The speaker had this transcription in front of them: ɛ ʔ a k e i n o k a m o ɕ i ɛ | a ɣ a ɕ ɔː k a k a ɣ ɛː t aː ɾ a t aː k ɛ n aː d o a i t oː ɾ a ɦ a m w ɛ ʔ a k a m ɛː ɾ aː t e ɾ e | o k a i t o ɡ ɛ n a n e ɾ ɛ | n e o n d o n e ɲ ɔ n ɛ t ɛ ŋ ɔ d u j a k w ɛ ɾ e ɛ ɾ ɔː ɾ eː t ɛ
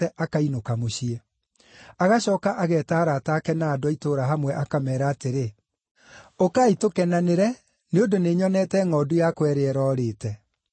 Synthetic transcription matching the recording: ɛ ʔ a k a i n o k a m o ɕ i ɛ | a ɣ a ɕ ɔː k a ʔ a ɣ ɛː t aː ɾ a t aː k ɛ n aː d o a i t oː ɾ a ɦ a m w ɛ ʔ a k a m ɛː ɾ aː t e ɾ e | o k a i t o k ɛ n a n e ɾ ɛ | n e o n d o n e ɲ ɔ n ɛ t ɛ ŋ ɔ d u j a k w ɛ ɾ e ɛ ɾ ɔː ɾ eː t ɛ